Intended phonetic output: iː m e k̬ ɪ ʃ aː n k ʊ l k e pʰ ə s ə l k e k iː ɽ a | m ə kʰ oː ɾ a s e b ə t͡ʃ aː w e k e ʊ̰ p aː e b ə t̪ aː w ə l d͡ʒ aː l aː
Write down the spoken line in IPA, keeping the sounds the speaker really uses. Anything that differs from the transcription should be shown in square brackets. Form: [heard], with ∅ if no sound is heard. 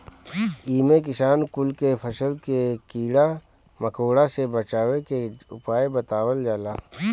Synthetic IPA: iː m e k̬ ɪ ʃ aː n k ʊ l k e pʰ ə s ə l k e k iː ɽ a | m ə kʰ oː [ɽ] a s e b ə t͡ʃ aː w e k e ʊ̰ p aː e b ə t̪ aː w ə l d͡ʒ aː l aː